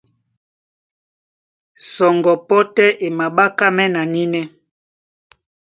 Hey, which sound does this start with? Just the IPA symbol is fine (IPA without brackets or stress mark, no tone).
s